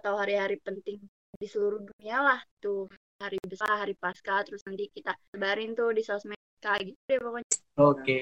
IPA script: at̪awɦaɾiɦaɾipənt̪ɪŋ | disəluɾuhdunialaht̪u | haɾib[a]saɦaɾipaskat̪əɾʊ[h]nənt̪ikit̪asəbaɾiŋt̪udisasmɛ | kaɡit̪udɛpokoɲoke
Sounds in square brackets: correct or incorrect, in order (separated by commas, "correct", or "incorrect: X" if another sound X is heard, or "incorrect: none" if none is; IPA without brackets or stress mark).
incorrect: ə, incorrect: s